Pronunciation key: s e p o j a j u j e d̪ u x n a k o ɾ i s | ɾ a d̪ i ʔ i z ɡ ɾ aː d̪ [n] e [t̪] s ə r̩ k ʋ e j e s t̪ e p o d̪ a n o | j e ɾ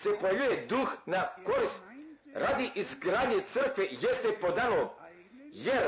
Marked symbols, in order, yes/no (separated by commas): no, yes